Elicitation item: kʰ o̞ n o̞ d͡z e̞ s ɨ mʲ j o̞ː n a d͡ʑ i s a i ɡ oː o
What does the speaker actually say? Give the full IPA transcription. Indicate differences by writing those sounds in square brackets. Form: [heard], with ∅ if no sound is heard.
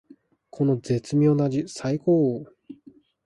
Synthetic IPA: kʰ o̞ n o̞ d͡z e̞ [t͡s] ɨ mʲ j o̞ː n a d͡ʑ i s a i [k] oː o

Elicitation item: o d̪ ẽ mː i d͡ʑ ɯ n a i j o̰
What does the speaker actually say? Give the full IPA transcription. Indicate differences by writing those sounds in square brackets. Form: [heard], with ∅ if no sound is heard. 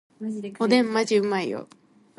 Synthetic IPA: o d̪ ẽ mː [a] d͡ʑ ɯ [m] a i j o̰

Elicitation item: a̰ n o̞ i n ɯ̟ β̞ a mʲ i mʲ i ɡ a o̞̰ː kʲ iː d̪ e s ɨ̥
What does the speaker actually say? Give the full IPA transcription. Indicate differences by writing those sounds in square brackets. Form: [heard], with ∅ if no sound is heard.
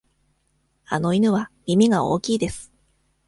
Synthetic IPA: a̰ n o̞ i n ɯ̟ β̞ a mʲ i mʲ i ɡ a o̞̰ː kʲ iː d̪ e s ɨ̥

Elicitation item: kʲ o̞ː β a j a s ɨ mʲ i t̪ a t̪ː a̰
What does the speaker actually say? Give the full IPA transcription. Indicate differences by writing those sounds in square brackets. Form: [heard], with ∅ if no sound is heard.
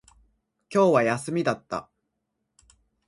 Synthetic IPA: kʲ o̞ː β a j a s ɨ mʲ i [d̪] a t̪ː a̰

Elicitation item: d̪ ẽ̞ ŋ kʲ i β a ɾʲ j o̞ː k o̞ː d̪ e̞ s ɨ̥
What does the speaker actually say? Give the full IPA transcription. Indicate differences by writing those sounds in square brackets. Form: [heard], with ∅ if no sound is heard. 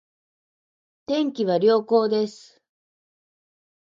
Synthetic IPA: [t̪] ẽ̞ ŋ kʲ i β a ɾʲ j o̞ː k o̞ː d̪ e̞ s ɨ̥

